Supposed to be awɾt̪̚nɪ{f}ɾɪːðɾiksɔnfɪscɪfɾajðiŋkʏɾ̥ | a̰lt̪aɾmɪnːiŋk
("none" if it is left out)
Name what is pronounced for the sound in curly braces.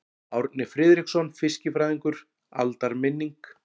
f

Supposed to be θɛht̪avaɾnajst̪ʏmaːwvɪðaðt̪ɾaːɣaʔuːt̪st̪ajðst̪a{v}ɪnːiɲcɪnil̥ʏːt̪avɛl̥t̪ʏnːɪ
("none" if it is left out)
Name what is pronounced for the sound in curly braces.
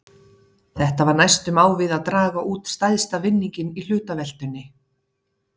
v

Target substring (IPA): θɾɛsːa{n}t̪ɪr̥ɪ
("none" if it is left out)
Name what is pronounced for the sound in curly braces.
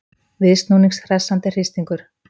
n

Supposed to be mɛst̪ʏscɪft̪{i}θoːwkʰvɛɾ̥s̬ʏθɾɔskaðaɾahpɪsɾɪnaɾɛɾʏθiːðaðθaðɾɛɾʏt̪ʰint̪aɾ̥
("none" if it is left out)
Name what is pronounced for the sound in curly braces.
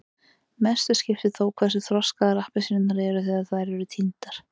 ɪ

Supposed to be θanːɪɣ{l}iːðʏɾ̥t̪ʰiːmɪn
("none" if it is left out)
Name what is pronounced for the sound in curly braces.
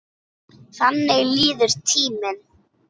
l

